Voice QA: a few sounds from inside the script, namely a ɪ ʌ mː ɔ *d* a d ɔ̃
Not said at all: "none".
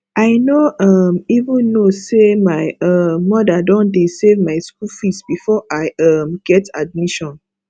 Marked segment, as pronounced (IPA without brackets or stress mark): d